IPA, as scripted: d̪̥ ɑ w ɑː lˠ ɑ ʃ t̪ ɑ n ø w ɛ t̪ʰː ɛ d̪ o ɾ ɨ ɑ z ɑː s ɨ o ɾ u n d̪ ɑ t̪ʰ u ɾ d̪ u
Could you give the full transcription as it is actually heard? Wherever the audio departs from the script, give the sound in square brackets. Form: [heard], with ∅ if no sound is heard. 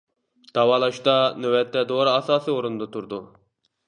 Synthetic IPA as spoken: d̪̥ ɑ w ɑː lˠ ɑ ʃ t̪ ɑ n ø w ɛ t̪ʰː ɛ d̪ o ɾ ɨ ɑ [s] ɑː s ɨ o ɾ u n d̪ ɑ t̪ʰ u ɾ d̪ u